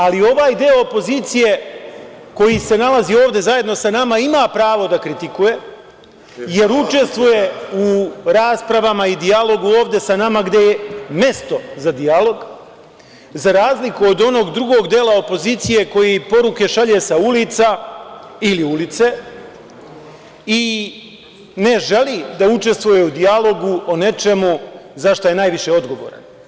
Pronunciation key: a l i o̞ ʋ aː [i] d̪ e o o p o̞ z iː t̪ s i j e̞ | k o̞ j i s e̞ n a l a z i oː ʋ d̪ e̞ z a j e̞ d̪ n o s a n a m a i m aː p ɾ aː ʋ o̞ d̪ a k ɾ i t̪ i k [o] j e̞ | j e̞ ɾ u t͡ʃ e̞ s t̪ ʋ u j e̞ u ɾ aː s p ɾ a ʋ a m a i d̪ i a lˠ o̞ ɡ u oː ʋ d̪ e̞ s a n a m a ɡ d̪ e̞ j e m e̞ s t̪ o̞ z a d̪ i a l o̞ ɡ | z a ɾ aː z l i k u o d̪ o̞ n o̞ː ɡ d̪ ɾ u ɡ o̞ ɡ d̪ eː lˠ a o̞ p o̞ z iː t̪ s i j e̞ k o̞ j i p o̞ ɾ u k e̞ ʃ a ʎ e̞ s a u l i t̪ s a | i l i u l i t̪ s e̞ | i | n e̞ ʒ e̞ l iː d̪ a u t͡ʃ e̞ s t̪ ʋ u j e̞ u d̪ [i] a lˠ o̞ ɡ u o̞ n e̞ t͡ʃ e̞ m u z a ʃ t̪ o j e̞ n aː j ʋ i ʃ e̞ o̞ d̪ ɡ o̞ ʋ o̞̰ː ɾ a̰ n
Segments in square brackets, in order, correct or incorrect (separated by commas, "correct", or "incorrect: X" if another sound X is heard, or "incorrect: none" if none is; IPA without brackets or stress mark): incorrect: j, incorrect: u, correct